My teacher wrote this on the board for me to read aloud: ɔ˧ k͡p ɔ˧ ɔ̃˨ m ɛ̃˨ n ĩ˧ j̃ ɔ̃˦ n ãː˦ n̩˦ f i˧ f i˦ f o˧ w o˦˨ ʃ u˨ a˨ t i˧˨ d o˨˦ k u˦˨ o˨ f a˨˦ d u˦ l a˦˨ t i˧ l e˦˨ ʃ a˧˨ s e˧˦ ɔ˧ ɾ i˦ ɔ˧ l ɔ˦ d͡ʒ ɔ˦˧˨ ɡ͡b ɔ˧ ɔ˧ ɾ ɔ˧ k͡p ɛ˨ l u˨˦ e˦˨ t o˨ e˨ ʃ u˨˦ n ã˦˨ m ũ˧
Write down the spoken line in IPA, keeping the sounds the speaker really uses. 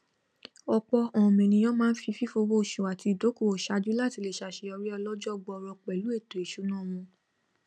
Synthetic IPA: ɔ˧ k͡p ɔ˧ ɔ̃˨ m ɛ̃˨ n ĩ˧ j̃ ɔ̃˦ m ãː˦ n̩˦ f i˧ f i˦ f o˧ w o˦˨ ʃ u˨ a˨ t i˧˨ d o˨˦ k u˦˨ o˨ ʃ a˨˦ d͡ʒ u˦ l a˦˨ t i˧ l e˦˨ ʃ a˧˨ ʃ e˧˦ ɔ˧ ɾ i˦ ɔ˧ l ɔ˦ d͡ʒ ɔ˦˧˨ ɡ͡b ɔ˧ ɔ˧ ɾ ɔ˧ k͡p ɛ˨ l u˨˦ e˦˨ t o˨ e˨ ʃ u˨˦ n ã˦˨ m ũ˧